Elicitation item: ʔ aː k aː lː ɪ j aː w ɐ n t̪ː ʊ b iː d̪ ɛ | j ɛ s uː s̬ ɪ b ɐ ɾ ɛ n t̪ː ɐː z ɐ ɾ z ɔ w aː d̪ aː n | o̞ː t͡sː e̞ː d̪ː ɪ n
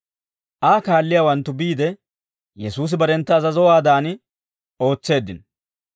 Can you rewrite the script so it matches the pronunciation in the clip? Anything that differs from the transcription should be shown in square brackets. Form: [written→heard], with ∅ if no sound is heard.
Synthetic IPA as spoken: ʔ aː k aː lː ɪ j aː w ɐ n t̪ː ʊ b iː d̪ ɛ | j ɛ s uː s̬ ɪ b ɐ ɾ ɛ n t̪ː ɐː z ɐ [ɾ→∅] z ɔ w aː d̪ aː n | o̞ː t͡sː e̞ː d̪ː ɪ n